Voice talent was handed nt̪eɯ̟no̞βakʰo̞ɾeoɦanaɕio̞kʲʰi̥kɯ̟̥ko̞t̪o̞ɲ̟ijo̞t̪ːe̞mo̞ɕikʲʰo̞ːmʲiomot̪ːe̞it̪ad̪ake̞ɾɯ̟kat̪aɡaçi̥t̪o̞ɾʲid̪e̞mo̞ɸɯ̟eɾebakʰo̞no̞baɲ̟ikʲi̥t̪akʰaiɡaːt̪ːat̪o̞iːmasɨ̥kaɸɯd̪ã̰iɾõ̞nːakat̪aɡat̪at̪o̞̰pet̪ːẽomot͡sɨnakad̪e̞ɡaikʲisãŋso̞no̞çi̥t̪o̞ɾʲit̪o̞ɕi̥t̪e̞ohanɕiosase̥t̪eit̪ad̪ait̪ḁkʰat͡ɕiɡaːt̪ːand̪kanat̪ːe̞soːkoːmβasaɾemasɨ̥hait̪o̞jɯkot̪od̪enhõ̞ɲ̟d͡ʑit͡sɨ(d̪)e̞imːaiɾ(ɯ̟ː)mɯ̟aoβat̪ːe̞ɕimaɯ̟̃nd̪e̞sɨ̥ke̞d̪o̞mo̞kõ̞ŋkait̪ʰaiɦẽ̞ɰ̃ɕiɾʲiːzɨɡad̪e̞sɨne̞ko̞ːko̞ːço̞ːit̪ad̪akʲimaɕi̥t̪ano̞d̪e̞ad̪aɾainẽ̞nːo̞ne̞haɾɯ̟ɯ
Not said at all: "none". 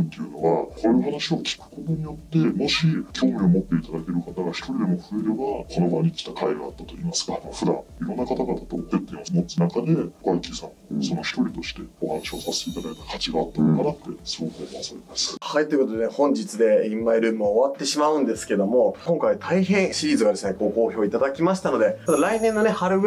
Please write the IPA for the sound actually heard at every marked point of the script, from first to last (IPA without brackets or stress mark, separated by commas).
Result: d̪, ɯ̟ː